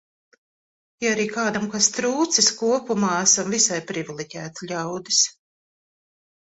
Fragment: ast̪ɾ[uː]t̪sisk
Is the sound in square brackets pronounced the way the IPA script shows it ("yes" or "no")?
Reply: yes